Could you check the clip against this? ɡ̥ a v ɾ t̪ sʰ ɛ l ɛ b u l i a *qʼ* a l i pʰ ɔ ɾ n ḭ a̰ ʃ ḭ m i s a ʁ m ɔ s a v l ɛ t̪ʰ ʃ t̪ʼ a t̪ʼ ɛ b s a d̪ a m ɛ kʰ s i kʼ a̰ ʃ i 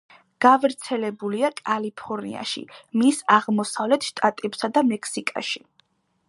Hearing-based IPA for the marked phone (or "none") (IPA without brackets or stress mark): kʼ